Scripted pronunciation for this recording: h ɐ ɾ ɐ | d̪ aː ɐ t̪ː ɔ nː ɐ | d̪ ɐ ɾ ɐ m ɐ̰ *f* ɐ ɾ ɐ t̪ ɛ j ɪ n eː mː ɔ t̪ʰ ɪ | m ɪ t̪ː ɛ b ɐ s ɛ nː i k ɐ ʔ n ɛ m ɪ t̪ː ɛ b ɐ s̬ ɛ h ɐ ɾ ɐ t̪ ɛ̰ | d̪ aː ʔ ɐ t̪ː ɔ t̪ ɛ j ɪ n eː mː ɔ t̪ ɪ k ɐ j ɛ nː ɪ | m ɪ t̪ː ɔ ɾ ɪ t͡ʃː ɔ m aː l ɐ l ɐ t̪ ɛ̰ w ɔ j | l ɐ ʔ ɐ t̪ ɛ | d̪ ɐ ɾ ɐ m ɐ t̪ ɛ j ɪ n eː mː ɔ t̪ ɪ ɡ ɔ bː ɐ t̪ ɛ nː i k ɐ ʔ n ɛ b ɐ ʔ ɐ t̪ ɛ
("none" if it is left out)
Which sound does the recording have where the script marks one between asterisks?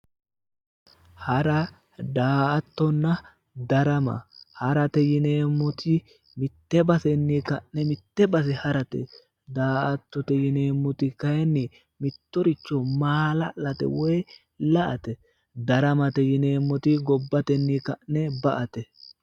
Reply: h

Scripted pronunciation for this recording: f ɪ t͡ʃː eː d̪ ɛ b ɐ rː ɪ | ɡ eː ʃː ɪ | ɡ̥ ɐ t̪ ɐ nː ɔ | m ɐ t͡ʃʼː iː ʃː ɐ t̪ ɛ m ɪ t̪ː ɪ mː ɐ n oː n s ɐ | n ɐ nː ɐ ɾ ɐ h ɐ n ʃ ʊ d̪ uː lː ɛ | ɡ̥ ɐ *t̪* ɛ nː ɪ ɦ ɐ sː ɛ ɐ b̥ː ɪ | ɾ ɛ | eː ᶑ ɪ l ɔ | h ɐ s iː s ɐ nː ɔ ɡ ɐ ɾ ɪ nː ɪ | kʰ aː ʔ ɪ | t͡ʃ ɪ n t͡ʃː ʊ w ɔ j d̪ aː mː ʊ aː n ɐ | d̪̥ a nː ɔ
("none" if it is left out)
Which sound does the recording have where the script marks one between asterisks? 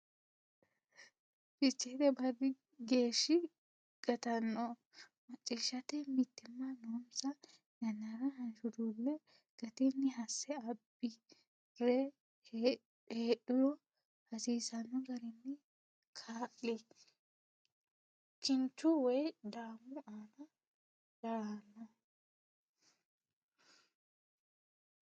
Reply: t̪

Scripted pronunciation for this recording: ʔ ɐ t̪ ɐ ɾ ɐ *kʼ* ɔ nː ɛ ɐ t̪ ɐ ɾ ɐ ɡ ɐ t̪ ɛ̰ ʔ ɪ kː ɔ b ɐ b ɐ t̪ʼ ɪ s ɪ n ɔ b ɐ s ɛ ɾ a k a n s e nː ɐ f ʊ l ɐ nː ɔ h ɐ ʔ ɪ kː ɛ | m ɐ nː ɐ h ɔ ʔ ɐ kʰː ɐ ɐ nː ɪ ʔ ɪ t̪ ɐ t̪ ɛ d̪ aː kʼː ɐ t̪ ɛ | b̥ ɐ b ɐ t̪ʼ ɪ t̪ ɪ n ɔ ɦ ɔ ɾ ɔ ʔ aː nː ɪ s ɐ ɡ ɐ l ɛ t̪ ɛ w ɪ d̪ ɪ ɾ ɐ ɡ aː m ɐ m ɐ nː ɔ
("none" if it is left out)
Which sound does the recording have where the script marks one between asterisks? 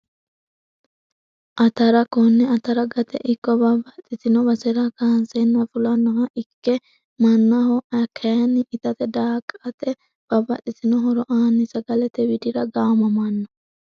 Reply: k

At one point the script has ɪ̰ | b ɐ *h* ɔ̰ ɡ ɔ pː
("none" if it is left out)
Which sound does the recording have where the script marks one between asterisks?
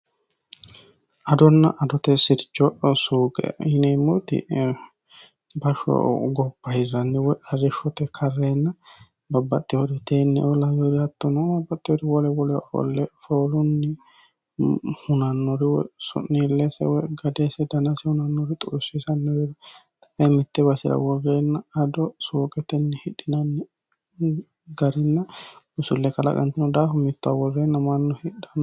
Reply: ʃ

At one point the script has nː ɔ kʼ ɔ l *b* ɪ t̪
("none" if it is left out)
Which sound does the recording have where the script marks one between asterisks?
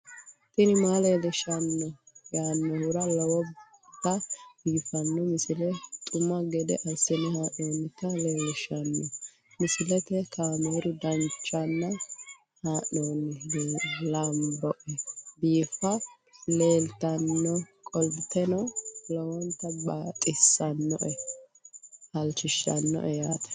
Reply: b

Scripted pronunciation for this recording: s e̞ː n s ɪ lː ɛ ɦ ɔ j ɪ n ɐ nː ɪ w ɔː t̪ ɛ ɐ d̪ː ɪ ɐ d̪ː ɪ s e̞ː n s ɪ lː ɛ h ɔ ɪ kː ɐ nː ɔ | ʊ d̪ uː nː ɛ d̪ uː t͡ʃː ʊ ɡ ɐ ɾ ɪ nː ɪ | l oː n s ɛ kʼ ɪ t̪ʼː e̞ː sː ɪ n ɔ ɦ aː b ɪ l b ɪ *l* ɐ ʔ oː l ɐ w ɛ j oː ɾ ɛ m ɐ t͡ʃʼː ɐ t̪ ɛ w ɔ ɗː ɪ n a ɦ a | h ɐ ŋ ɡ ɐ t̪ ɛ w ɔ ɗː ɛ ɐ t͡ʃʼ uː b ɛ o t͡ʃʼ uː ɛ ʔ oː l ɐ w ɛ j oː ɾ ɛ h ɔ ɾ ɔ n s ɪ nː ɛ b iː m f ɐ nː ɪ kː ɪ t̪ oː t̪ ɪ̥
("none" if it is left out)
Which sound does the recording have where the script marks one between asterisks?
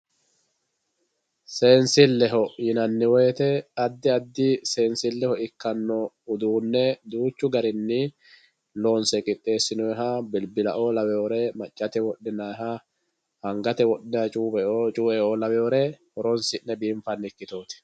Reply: l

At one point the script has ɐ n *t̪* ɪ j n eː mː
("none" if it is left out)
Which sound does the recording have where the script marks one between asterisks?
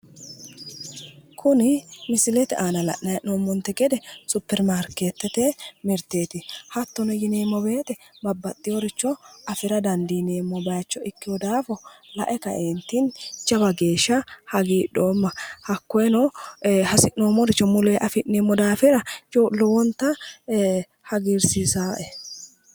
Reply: d̪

